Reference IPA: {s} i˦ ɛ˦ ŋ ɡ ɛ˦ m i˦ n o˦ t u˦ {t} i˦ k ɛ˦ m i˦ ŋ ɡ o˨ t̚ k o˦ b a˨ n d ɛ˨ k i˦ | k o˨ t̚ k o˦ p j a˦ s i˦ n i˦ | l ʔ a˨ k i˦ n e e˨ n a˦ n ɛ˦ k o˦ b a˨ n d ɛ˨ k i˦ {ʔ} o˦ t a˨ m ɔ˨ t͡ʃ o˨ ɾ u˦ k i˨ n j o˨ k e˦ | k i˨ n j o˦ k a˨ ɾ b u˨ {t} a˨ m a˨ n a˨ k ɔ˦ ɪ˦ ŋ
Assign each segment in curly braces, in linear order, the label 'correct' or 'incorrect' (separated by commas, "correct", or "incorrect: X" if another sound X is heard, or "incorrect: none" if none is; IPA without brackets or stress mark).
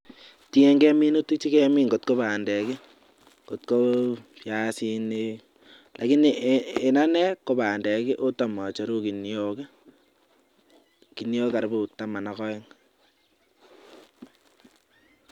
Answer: incorrect: t, incorrect: t͡ʃ, correct, correct